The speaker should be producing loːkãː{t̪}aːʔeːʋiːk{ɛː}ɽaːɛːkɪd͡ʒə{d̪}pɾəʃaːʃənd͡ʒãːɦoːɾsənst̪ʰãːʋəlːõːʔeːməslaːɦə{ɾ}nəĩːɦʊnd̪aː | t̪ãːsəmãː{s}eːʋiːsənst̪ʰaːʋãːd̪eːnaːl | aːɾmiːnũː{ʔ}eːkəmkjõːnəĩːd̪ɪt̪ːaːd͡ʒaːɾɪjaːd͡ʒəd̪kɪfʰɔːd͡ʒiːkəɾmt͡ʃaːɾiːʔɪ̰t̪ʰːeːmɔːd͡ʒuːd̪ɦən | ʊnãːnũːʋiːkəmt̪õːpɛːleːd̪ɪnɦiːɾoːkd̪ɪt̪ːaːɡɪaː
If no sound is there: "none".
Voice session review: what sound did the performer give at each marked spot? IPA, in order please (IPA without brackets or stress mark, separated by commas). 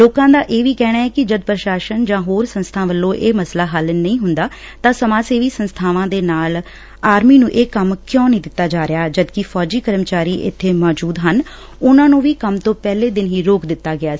d̪, ɛː, d̪, l, s, ʔ